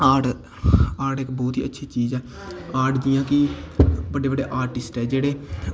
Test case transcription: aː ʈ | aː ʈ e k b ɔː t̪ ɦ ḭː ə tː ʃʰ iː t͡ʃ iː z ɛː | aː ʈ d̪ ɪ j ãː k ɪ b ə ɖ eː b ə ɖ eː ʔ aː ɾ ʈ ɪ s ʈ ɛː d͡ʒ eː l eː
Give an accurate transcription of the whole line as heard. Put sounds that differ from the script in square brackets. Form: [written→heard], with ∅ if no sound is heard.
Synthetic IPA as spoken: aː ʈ | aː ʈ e k b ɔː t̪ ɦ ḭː ə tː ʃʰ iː t͡ʃ iː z ɛː | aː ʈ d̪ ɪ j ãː k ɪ b ə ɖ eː b ə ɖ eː ʔ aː ɾ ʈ ɪ s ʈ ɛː d͡ʒ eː [l→ɽ] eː